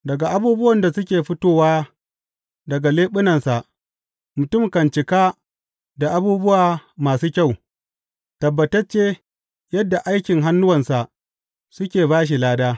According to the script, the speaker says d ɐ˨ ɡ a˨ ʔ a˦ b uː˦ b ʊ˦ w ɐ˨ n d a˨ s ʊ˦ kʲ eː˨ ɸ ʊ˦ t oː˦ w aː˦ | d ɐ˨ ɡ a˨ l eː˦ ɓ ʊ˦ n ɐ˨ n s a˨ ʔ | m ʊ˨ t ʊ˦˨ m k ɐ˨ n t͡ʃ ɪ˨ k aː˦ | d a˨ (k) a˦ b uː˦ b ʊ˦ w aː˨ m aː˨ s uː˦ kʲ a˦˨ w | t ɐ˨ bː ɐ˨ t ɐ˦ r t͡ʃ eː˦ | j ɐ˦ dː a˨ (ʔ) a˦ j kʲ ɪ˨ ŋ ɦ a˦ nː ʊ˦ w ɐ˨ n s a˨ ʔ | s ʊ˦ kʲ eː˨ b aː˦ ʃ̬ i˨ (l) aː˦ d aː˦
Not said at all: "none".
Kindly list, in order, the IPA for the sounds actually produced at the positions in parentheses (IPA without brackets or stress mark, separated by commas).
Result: ʔ, ʔ, l